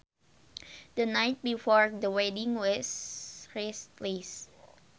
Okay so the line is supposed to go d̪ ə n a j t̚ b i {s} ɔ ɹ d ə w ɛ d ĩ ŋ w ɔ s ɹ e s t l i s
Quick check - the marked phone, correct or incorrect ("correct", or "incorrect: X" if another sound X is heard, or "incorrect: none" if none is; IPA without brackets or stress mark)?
incorrect: f